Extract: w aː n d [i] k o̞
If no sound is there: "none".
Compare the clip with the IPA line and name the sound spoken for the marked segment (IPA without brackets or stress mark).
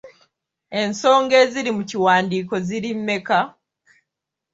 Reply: iː